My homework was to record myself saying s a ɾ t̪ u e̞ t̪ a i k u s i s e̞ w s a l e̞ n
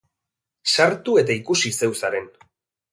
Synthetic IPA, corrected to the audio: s a ɾ t̪ u e̞ t̪ a i k u s i s e̞ w s a ɾ e̞ n